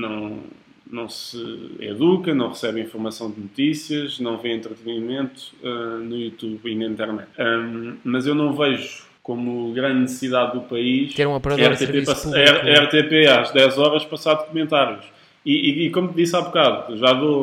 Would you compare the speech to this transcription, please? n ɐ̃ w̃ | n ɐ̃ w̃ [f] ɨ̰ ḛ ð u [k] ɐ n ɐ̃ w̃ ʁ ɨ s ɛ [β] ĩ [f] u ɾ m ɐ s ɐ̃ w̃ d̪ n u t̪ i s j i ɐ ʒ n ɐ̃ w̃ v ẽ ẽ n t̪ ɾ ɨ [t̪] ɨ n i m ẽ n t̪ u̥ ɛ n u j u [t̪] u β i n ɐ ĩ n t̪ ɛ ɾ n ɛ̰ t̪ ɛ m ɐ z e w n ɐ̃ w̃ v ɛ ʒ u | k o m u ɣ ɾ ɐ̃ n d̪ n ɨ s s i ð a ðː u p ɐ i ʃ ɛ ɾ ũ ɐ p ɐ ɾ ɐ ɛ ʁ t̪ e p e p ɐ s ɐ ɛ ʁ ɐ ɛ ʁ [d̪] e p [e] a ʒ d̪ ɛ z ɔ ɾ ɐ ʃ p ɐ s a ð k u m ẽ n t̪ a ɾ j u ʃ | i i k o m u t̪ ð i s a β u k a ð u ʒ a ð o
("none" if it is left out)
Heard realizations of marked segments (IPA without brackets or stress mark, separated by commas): s, k, β, f, t̪, t̪, t̪, e